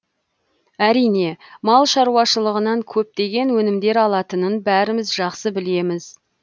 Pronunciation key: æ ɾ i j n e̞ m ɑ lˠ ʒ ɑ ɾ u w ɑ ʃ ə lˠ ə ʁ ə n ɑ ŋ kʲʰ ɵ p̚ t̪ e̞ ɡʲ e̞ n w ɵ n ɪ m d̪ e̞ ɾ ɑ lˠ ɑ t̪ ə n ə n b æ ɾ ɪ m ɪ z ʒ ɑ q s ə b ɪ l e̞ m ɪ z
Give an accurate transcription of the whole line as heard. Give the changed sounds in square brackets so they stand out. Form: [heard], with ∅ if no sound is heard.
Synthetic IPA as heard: æ ɾ i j n e̞ m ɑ lˠ [ʃ] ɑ ɾ u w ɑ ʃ ə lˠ ə ʁ ə n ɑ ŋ kʲʰ ɵ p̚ t̪ e̞ ɡʲ e̞ n w ɵ n ɪ m d̪ e̞ ɾ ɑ lˠ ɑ t̪ ə n ə n b æ ɾ ɪ m ɪ z ʒ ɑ q s ə b ɪ l e̞ m ɪ z